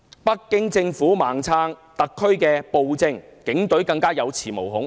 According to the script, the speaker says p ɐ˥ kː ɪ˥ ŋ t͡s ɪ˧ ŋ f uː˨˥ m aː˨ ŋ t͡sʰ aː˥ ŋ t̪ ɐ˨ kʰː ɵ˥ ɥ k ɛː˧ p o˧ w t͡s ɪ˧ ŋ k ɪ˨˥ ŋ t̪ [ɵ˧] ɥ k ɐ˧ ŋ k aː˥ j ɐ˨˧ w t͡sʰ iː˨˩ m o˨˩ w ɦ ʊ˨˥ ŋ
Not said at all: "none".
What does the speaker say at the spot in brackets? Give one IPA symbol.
ɵ˨˥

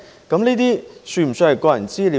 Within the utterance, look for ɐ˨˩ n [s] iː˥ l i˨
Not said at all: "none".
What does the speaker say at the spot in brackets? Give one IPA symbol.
t͡s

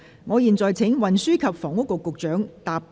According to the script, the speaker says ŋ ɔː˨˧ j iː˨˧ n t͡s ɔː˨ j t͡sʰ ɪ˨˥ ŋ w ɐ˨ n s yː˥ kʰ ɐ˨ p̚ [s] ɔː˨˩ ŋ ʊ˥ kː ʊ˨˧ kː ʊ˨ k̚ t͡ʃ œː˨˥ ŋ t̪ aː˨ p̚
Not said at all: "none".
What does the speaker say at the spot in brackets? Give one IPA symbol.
f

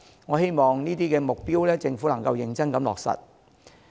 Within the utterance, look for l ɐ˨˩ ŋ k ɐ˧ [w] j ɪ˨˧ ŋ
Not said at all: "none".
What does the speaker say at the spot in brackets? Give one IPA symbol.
w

